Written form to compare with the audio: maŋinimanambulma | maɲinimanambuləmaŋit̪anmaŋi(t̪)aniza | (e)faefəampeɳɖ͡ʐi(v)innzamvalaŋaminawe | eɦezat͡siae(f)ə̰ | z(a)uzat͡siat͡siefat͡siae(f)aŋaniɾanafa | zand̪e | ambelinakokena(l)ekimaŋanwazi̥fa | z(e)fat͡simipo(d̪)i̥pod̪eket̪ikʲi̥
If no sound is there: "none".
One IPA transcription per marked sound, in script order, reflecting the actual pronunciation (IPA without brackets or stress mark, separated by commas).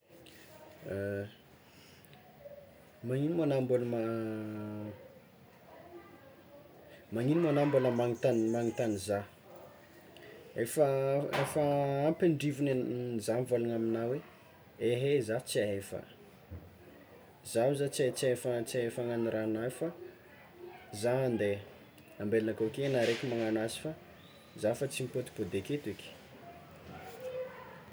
t̪, e, v, f, a, f, ɾ, a, t̪